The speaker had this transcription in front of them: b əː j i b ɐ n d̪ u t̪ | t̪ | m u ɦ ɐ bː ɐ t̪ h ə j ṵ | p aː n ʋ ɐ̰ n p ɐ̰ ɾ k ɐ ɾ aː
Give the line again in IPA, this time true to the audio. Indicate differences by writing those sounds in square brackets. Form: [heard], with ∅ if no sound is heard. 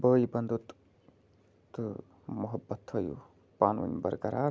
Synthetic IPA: b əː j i b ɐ n d̪ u t̪ | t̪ | m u ɦ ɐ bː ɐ t̪ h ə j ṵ | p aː n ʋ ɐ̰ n [b] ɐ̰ ɾ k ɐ ɾ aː